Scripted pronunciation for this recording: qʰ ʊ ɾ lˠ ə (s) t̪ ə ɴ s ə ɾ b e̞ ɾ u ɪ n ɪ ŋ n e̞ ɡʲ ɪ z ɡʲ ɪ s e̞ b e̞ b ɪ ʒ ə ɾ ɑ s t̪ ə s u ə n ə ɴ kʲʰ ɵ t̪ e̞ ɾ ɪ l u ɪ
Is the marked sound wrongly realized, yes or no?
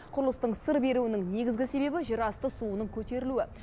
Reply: no